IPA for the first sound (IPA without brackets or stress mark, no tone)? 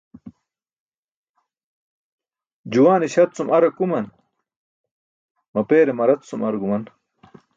d͡ʑ